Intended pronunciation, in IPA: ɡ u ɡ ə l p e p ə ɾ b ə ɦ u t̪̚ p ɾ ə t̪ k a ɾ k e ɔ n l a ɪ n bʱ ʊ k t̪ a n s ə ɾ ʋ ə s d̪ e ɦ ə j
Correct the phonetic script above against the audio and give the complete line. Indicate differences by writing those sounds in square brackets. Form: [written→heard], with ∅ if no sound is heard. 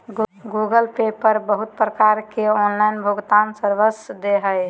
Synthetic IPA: ɡ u ɡ ə l p e p ə ɾ b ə ɦ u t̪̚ p ɾ ə [t̪→∅] k a ɾ k e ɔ n l a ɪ n bʱ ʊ [k→ɡ] t̪ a n s ə ɾ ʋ ə s d̪ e ɦ ə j